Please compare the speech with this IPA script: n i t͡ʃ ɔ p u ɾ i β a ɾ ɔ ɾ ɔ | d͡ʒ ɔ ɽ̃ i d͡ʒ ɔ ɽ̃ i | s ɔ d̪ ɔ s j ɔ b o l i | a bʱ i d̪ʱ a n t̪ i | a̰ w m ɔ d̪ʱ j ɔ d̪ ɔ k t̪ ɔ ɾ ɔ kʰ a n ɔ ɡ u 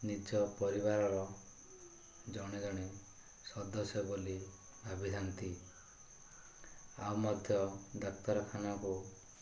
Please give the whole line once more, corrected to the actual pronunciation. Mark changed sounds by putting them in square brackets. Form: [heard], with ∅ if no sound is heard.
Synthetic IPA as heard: n i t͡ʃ ɔ p [ɔ] ɾ i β a ɾ ɔ ɾ ɔ | d͡ʒ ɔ ɽ̃ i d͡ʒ ɔ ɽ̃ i | s ɔ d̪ ɔ s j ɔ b o l i | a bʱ i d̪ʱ a n t̪ i | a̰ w m ɔ d̪ʱ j ɔ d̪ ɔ k t̪ ɔ ɾ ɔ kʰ a n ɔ [k] u

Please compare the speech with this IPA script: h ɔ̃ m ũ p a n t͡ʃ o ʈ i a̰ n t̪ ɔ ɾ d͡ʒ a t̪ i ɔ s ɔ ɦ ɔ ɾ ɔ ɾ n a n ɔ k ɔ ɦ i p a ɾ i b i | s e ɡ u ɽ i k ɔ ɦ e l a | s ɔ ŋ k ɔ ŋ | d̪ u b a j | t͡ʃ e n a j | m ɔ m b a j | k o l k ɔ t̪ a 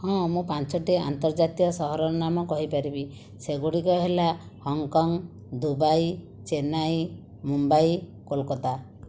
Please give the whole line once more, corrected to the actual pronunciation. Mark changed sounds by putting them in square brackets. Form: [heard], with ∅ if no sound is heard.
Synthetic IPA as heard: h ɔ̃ m ũ p a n t͡ʃ [ɔ] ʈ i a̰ n t̪ ɔ ɾ d͡ʒ a t̪ i ɔ s ɔ ɦ ɔ ɾ ɔ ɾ n a [m] ɔ k ɔ ɦ i p a ɾ i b i | s e ɡ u ɽ i k ɔ ɦ e l a | [h] ɔ ŋ k ɔ ŋ | d̪ u b a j | t͡ʃ e n a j | m [u] m b a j | k o l k ɔ t̪ a

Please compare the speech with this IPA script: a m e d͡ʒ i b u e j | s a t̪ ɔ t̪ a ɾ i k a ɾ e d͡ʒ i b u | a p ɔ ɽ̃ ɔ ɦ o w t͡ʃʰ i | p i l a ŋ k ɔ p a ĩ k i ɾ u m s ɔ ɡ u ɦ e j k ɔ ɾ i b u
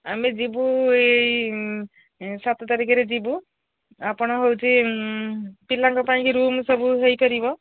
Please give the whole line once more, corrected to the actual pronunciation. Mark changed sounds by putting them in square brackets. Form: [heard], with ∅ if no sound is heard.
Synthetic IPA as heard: a m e d͡ʒ i b u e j | s a t̪ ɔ t̪ a ɾ i k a ɾ e d͡ʒ i b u | a p ɔ ɽ̃ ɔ ɦ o w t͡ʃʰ i | p i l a ŋ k ɔ p a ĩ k i ɾ u m s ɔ [b] u ɦ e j k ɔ ɾ i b [ɔ]

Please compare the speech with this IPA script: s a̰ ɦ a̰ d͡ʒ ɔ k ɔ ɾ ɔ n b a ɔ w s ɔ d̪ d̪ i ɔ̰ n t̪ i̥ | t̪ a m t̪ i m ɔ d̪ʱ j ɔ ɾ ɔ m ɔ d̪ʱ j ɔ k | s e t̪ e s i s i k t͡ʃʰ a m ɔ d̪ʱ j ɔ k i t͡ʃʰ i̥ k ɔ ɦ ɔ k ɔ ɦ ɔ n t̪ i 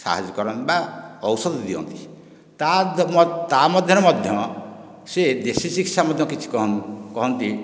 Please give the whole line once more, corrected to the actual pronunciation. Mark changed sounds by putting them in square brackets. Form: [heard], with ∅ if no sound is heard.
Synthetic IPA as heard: s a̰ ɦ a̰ d͡ʒ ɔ k ɔ ɾ ɔ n b a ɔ w s ɔ d̪ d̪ i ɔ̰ n t̪ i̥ | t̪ a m t̪ [a] m ɔ d̪ʱ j ɔ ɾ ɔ m ɔ d̪ʱ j ɔ [∅] | s e [d̪] e s i s i k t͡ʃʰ a m ɔ d̪ʱ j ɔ k i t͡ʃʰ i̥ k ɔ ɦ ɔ k ɔ ɦ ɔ n t̪ i

